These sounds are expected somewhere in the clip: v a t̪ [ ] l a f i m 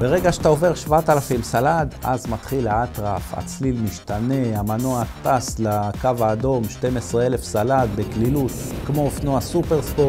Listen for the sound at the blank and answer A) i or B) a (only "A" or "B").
B